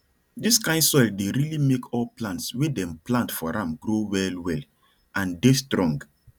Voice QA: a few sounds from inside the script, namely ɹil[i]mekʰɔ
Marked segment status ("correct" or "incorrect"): correct